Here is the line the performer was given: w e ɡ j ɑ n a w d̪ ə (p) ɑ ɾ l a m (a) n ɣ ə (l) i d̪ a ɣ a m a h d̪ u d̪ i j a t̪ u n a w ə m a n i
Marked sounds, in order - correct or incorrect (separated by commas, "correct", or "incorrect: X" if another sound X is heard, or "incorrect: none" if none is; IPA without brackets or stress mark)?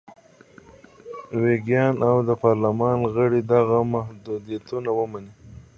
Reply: correct, incorrect: ɑ, incorrect: ɽ